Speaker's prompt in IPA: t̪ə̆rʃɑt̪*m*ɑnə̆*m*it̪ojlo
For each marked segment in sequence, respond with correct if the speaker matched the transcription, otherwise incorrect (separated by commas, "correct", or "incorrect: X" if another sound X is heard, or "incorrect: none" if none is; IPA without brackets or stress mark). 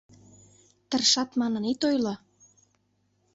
correct, incorrect: n